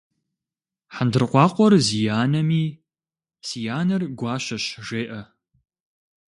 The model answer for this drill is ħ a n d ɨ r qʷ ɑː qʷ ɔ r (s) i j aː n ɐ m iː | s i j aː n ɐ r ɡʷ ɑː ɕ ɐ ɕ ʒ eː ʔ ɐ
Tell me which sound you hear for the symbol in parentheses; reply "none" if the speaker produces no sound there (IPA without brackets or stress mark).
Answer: z